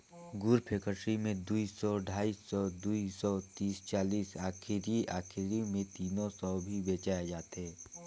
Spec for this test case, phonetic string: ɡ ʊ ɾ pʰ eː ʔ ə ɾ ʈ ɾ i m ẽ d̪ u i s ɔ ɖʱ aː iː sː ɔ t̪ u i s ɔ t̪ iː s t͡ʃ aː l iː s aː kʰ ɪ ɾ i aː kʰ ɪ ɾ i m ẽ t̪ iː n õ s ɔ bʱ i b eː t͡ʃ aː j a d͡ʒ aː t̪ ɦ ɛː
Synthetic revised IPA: ɡ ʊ ɾ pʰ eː k ə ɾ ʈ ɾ i m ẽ d̪ u i s ɔ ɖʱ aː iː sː ɔ d̪ u i s ɔ t̪ iː s t͡ʃ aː l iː s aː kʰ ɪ ɾ i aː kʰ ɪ ɾ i m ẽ t̪ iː n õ s ɔ bʱ i b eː t͡ʃ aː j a d͡ʒ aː t̪ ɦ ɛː